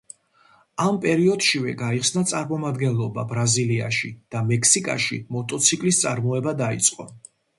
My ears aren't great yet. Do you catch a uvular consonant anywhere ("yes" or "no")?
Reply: yes